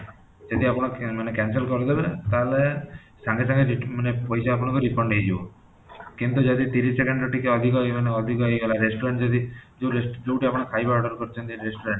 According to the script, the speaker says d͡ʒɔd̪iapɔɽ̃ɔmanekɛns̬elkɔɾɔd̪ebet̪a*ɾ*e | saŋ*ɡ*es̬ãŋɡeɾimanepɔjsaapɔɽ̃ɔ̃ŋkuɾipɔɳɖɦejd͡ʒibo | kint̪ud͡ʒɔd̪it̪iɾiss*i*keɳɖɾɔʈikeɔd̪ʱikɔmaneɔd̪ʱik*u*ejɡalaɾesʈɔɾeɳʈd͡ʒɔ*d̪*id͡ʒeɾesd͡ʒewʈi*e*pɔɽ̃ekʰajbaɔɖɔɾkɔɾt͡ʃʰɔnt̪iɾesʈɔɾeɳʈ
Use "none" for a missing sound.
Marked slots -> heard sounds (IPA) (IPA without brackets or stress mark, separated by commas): l, ɡ, e, ɔ, d̪, a